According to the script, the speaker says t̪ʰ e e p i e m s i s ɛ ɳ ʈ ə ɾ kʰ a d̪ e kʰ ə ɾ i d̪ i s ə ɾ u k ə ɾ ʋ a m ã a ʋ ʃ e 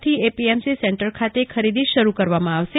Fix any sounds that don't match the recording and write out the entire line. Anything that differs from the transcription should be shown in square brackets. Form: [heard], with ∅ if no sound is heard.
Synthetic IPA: t̪ʰ [i] e p i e m s i s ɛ ɳ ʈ ə ɾ kʰ a [t̪] e kʰ ə ɾ i d̪ i [ʃ] ə ɾ u k ə ɾ ʋ a m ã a ʋ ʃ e